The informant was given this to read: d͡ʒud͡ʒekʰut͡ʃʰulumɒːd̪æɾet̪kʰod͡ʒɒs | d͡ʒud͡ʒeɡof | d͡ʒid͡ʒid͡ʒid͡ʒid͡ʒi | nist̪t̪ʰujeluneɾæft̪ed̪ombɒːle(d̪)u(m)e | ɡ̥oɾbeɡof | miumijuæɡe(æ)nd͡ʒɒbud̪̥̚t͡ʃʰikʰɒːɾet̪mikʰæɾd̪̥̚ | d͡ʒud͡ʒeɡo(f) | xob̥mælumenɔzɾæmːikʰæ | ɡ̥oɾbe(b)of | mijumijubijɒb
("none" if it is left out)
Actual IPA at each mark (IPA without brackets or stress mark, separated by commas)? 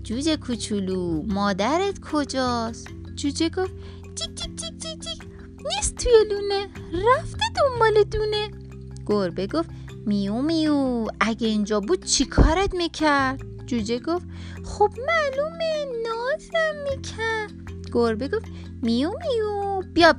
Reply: d̪, n, i, f, ɡ